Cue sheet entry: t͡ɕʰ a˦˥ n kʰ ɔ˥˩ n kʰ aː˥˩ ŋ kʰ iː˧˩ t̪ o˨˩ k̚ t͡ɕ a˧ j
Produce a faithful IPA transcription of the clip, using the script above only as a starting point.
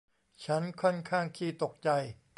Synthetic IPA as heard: t͡ɕʰ a˦˥ n kʰ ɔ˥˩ n kʰ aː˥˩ ŋ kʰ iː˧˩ t̪ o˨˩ k̚ t͡ɕ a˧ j